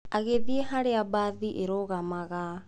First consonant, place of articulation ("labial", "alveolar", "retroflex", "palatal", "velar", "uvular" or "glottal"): velar